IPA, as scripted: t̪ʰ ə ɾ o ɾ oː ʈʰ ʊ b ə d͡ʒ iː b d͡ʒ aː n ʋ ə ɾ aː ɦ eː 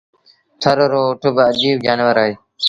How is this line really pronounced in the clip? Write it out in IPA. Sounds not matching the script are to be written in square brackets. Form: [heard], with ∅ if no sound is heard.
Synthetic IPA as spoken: t̪ʰ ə ɾ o ɾ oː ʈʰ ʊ b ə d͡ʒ iː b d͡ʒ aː n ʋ ə ɾ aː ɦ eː